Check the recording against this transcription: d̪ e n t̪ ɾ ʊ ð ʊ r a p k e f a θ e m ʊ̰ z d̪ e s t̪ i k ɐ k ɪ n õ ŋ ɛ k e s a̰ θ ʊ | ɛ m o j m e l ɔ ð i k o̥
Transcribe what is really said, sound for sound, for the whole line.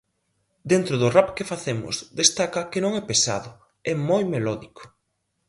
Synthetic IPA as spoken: d̪ e n t̪ ɾ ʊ ð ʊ r a p k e f a θ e m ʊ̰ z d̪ e s t̪ a k ɐ k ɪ n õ ŋ ɛ p e s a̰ ð ʊ | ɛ m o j m e l ɔ ð i k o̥